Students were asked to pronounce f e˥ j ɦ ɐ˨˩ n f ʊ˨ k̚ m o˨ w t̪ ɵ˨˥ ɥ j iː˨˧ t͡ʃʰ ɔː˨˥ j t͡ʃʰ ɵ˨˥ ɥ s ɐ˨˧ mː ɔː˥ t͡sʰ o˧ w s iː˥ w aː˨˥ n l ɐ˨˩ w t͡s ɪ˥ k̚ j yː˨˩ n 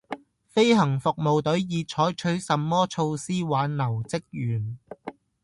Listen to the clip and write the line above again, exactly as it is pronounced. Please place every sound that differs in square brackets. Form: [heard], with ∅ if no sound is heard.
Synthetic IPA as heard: f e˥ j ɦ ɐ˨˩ [ŋ] f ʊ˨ k̚ m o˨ w t̪ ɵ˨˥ ɥ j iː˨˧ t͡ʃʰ ɔː˨˥ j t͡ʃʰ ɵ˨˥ ɥ s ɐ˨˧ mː ɔː˥ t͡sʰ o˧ w s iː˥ w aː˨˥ n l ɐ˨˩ w t͡s ɪ˥ k̚ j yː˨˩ n